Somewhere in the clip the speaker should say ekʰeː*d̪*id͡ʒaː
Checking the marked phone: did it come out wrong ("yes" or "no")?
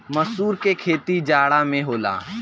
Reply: yes